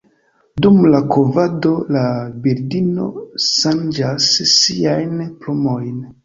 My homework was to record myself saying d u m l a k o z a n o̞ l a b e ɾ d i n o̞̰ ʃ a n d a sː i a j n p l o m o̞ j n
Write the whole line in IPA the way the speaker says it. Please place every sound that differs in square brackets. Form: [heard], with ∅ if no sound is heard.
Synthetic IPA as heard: d u m l a k o [v] a [d] o̞ l a b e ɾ d i n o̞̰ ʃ a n [d͡ʒ] a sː i a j n p l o m o̞ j n